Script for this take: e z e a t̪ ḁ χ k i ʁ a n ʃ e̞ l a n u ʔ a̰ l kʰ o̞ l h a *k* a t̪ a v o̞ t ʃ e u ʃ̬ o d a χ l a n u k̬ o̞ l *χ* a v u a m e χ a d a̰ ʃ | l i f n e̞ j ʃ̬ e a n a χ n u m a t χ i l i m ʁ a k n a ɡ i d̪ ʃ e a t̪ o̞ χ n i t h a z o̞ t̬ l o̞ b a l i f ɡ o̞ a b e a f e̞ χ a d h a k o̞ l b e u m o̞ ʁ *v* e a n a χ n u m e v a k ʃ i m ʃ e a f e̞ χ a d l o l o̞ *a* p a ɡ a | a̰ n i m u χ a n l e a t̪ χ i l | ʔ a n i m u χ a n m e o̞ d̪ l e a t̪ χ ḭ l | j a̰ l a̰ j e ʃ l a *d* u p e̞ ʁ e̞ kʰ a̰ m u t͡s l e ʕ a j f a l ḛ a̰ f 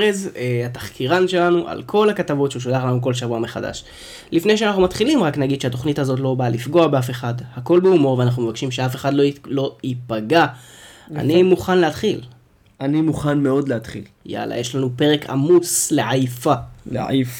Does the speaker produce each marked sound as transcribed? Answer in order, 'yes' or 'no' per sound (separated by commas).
yes, no, yes, no, no